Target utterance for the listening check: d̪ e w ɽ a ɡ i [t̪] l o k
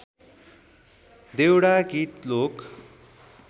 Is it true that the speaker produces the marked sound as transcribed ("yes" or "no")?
yes